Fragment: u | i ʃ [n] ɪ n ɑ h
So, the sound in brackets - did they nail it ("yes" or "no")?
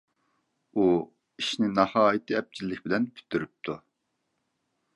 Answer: yes